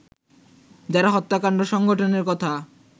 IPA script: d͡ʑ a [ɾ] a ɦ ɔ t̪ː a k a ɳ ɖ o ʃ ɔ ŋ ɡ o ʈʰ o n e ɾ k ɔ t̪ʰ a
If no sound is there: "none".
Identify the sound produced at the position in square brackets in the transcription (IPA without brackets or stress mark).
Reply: ɾ